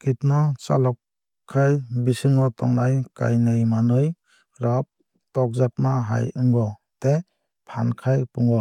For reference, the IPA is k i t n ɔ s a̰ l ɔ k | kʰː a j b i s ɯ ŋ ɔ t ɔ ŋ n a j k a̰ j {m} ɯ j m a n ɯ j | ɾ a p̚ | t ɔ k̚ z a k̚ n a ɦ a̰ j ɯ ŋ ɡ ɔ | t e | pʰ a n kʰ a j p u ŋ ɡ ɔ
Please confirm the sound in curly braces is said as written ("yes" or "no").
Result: no